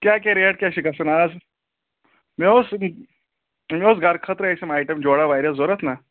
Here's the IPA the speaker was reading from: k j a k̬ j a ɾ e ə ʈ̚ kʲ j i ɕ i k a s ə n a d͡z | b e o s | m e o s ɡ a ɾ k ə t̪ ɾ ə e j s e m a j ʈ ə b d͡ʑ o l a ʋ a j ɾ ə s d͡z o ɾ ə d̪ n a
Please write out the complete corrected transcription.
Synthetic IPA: k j a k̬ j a ɾ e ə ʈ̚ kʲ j a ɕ i k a s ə n a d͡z | m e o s | m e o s ɡ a ɾ kʰ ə t̪ ɾ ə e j s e m a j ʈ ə m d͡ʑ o ɽ a ʋ a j ɾ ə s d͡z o ɾ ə t̪ n a

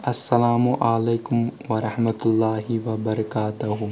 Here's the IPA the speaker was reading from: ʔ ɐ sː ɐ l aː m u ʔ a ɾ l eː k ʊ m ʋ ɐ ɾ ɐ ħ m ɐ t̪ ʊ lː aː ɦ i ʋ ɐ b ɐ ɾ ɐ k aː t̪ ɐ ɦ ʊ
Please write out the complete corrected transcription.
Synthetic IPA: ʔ ɐ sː ɐ l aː m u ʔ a l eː k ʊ m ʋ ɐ ɾ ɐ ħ m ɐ t̪ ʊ lː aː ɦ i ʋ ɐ b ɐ ɾ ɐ k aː t̪ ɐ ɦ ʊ

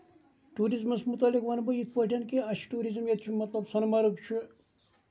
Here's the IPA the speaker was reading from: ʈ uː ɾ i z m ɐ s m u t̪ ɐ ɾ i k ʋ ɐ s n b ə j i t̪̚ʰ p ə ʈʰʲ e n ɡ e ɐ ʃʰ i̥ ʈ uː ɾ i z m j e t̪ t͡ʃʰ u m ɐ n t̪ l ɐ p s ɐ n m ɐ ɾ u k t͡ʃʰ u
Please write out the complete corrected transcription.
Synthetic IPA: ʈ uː ɾ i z m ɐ s m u t̪ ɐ l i k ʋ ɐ n b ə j i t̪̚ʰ p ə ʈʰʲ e n k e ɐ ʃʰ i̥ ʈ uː ɾ i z m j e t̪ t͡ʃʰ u m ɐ t̪ l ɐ b s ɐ n m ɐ ɾ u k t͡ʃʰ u

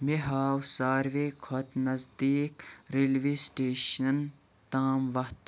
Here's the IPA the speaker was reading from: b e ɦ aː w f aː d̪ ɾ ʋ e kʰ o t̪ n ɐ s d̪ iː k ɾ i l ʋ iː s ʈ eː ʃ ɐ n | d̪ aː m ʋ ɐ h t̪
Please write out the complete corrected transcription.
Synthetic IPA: m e ɦ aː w s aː ɾ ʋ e kʰ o t̪ n ɐ z d̪ iː k ɾ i l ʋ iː s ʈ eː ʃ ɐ n | t̪ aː m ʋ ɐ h t̪

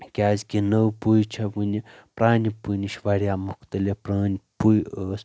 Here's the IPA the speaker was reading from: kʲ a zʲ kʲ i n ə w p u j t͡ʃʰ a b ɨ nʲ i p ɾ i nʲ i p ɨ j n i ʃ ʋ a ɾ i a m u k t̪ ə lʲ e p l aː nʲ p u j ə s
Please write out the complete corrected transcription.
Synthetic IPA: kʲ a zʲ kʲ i n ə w p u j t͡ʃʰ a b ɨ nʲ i p ɾ a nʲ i p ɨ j n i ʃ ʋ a ɾ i a m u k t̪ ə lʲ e p ɾ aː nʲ p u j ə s

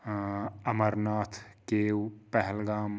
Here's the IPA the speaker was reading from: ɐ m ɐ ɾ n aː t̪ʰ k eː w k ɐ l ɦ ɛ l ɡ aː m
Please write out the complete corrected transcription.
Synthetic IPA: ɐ m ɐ ɾ n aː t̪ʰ k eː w p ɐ ɦ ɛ l ɡ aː m

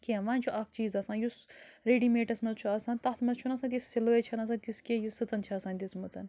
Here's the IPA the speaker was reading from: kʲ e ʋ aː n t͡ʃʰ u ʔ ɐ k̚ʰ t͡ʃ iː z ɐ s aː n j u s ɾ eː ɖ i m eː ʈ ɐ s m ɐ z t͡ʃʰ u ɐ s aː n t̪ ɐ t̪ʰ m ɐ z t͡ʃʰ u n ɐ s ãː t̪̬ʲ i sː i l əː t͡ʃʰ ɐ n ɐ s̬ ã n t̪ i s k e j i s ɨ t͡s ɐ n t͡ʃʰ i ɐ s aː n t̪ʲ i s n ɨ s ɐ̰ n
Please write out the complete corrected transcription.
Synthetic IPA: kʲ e ʋ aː n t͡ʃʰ u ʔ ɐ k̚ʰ t͡ʃ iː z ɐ s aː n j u s ɾ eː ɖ i m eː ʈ ɐ s m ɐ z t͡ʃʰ u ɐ s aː n t̪ ɐ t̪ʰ m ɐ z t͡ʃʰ u n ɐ s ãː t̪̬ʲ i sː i l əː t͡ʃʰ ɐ n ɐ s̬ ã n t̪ i s k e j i s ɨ t͡s ɐ n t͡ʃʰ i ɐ s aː n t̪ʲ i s m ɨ t͡s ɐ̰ n

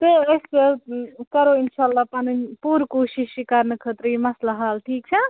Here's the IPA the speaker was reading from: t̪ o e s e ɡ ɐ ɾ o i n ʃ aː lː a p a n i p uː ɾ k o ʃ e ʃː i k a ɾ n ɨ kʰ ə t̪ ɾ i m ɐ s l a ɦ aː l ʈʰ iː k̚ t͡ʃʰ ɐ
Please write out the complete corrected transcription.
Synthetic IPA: t̪ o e s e k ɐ ɾ o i n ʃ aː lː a p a n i p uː ɾ k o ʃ i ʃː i k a ɾ n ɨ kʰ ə t̪ ɾ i m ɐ s l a ɦ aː l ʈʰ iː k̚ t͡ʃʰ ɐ

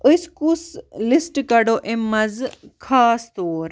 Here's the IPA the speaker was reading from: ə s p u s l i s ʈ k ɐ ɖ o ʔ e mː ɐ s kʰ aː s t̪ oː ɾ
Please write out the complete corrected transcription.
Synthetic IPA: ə s k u s l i s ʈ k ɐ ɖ o ʔ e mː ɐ z kʰ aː s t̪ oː ɾ

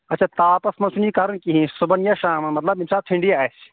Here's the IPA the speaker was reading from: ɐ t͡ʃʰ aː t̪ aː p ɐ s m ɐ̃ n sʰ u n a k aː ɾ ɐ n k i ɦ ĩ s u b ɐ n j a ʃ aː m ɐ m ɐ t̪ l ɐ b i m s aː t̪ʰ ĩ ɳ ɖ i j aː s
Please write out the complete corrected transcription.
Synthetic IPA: ɐ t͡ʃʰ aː t̪ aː p ɐ s m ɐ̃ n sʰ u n i k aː ɾ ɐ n k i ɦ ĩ s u b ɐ n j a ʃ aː m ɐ m ɐ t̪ l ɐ b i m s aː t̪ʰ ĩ ɳ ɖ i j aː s

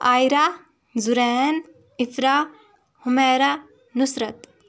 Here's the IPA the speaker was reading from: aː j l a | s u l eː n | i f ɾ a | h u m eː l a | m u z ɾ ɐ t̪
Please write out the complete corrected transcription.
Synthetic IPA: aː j ɾ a | z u ɾ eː n | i f ɾ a | h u m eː ɾ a | n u s ɾ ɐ t̪

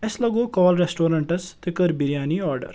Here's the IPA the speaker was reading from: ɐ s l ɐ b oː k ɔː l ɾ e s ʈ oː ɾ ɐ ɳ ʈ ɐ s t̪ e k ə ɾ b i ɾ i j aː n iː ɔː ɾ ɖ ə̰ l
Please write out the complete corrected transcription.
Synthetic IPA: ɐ s l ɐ ɡ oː k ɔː l ɾ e s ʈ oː ɾ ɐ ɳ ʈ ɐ s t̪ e k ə ɾ b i ɾ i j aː n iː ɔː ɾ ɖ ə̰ ɾ

